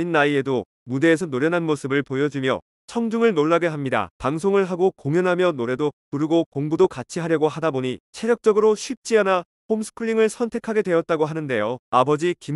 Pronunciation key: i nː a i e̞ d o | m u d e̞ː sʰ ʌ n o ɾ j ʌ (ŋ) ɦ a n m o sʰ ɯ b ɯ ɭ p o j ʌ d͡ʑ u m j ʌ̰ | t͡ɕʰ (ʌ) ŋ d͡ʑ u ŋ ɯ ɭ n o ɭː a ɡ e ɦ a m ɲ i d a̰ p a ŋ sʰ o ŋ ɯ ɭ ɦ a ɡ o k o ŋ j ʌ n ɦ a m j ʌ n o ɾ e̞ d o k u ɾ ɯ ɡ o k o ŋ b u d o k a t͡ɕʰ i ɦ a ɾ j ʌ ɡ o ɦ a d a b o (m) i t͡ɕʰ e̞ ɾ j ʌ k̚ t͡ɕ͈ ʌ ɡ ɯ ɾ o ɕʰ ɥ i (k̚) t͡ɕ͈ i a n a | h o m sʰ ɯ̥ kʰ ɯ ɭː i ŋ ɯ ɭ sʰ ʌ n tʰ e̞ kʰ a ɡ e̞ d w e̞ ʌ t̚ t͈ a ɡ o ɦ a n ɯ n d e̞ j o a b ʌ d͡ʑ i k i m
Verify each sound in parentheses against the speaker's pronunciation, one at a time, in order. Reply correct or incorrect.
incorrect, correct, incorrect, incorrect

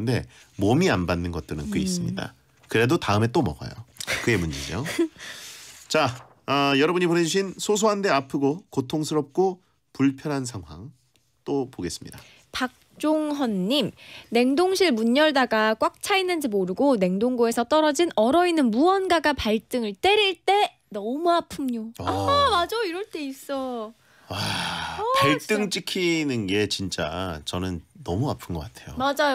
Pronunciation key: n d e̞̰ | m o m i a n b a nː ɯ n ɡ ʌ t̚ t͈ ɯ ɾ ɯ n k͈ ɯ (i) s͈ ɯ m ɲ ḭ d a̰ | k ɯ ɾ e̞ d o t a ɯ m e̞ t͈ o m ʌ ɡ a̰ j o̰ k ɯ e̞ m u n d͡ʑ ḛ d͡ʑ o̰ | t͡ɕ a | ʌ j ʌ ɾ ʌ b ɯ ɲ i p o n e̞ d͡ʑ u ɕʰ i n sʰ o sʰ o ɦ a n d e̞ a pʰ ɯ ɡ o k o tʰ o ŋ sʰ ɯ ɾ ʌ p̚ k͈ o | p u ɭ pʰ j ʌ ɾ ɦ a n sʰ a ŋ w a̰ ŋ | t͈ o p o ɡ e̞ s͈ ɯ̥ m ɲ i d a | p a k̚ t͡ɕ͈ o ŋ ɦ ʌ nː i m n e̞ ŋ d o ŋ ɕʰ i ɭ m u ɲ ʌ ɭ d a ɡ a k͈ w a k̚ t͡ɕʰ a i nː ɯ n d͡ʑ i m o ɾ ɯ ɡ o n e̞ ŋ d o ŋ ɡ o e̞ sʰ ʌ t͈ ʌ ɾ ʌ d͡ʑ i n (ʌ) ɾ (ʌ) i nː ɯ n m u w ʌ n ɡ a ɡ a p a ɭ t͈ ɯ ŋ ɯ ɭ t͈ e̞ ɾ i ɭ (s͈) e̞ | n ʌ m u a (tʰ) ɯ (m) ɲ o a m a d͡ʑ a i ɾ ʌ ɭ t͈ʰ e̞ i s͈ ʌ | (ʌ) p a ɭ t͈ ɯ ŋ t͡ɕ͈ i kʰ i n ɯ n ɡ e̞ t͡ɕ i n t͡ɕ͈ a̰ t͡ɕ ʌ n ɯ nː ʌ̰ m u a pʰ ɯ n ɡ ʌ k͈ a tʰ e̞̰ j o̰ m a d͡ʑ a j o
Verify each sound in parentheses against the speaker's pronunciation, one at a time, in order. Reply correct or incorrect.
correct, correct, correct, incorrect, incorrect, correct, incorrect

